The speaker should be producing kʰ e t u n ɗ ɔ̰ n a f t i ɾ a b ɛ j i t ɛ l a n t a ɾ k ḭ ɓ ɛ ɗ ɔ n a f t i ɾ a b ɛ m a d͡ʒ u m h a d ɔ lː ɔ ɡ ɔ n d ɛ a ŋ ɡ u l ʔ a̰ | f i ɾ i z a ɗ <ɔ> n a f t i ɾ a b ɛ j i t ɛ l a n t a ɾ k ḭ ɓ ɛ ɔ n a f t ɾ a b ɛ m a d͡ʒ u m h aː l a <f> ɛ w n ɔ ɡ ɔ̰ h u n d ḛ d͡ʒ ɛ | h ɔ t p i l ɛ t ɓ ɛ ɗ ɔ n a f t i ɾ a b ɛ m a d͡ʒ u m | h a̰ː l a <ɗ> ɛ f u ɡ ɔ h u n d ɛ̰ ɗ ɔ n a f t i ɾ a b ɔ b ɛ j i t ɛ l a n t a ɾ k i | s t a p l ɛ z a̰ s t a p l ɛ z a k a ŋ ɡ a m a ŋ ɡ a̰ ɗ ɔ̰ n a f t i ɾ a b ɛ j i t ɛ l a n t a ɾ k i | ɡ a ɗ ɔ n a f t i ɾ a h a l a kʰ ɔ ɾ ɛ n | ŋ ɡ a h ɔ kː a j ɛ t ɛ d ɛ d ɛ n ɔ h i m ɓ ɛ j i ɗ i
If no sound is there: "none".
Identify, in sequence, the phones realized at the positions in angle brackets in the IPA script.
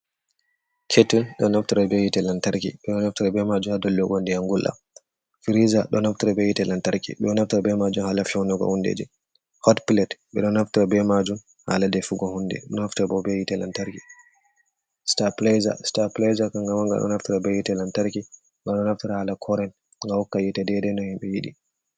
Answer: ɔ, f, d

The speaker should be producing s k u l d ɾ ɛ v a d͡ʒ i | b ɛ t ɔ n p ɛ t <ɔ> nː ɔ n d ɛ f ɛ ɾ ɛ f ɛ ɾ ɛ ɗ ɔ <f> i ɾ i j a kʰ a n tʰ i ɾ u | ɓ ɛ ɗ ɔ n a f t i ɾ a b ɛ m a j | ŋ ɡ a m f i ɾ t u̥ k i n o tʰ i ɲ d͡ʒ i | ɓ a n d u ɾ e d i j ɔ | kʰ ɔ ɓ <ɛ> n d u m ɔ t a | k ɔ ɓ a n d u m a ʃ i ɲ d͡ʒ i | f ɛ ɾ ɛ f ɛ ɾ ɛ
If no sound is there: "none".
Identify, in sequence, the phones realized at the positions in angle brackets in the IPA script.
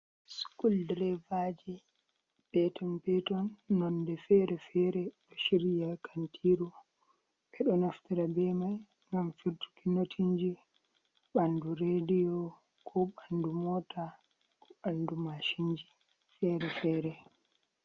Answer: ɔ, ʃ, a

